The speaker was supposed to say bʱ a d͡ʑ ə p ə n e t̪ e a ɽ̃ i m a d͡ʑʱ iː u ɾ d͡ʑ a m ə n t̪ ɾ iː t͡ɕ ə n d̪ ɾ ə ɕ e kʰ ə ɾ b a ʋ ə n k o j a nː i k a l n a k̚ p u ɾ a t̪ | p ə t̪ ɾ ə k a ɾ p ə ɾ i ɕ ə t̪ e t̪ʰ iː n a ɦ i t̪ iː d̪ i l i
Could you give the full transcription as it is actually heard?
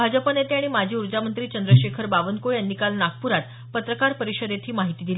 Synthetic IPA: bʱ a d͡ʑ ə p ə n e t̪ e a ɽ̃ i m a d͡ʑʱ iː u ɾ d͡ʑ a m ə n t̪ ɾ iː t͡ɕ ə n d̪ ɾ ə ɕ e kʰ ə ɾ b a ʋ ə n k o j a nː i k a l n a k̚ p u ɾ a t̪ | p ə t̪ ɾ ə k a ɾ p ə ɾ i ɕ ə d̪ e t̪ʰ iː m a ɦ i t̪ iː d̪ i l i